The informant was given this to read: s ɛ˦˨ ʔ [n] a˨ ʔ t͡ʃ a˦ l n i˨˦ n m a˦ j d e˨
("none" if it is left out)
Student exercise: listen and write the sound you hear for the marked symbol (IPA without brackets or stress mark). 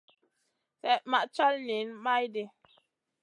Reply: m